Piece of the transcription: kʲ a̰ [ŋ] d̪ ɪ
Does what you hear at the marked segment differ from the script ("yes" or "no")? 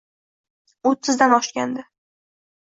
yes